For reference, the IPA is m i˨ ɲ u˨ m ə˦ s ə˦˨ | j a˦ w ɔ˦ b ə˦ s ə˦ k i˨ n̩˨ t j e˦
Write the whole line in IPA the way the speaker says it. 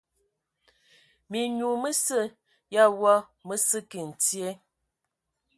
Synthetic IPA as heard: m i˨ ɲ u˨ m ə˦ s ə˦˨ | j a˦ w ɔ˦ m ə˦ s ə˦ k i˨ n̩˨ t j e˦

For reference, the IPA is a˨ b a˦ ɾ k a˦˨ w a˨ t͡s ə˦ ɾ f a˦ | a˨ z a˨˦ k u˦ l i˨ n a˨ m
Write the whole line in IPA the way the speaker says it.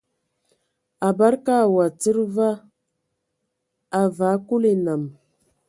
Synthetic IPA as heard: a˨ b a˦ ɾ k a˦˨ w a˨ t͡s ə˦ ɾ v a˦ | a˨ v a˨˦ k u˦ l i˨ n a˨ m

